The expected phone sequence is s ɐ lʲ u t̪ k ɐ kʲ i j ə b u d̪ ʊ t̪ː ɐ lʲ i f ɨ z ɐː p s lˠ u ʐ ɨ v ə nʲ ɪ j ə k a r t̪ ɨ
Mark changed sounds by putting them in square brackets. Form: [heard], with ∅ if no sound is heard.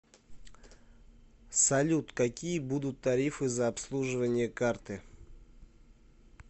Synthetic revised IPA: s ɐ lʲ u t̪ k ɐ kʲ i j ə b u d̪ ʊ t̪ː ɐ [ɾʲ] i f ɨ z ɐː p s lˠ u ʐ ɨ v ə nʲ ɪ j ə k a r t̪ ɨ